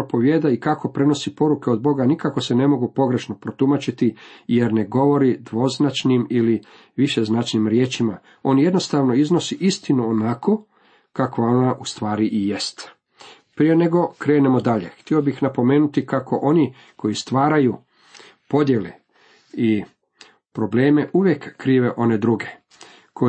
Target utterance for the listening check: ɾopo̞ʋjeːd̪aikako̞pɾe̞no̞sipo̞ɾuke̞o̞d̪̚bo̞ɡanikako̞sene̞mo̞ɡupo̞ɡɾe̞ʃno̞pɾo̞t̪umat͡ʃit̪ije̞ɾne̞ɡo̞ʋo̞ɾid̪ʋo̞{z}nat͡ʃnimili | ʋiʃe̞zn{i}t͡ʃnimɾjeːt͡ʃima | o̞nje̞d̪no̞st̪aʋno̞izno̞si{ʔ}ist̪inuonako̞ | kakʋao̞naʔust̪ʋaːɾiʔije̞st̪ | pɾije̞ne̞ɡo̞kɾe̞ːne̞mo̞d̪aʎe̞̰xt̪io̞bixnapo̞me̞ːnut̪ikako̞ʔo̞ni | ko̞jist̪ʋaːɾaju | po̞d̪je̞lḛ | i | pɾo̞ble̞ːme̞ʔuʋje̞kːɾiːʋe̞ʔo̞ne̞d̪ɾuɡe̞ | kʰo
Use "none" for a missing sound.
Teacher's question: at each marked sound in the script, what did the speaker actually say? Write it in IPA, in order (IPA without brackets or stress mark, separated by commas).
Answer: z, a, ʔ